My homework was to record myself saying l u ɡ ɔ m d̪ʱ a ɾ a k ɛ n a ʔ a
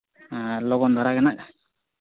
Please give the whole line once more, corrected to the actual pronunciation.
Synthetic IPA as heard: l ɔ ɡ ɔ n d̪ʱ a ɾ a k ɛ n a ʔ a